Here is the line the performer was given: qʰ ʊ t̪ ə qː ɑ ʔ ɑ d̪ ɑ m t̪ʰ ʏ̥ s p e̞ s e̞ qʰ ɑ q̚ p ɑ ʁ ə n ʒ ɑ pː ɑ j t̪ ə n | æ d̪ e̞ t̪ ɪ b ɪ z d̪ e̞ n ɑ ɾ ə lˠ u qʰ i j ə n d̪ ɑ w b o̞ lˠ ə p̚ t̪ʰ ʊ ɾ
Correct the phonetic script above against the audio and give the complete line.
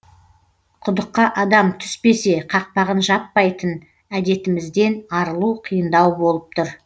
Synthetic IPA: qʰ ʊ d̪ ə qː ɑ ʔ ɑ d̪ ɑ m t̪ʰ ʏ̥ s p e̞ s e̞ qʰ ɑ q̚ p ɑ ʁ ə n ʒ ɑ pː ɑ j t̪ ə n | æ d̪ e̞ t̪ ɪ m ɪ z d̪ e̞ n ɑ ɾ ə lˠ u qʰ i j ə n d̪ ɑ w b o̞ lˠ ə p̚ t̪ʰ ʊ ɾ